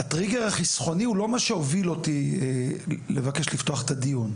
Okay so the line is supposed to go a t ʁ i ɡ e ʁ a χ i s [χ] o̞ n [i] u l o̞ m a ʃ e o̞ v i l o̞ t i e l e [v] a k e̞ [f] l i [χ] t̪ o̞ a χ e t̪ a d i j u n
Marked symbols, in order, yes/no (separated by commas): yes, yes, yes, no, no